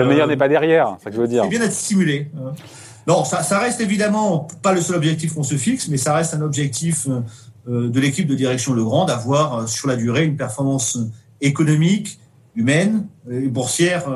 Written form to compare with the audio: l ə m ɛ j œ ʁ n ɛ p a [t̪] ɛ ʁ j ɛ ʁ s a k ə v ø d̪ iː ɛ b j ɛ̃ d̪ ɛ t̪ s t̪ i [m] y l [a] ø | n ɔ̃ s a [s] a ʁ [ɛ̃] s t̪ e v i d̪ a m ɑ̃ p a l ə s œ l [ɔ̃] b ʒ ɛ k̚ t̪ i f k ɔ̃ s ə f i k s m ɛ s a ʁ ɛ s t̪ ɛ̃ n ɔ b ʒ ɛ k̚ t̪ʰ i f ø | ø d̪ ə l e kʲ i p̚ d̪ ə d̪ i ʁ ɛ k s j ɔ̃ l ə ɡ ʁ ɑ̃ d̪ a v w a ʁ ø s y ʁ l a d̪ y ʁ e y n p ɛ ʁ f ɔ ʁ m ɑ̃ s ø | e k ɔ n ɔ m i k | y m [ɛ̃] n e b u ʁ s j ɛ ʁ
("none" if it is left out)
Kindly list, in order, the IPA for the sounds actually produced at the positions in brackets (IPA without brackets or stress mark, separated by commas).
d̪, m, e, s, ɛ, ɔ, ɛ